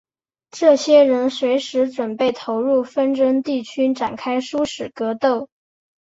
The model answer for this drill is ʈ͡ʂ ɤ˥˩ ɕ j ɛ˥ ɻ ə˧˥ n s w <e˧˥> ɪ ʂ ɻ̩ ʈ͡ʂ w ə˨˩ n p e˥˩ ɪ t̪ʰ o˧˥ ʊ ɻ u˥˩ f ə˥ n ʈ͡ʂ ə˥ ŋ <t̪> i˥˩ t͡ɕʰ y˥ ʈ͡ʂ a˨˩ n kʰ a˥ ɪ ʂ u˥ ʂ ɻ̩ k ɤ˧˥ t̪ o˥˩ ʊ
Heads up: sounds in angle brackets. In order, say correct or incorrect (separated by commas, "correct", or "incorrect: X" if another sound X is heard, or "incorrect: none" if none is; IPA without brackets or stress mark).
correct, correct